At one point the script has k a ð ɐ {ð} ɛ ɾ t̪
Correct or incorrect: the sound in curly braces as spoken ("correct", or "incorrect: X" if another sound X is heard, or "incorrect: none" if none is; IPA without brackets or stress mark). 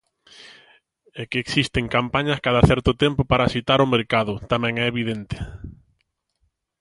incorrect: θ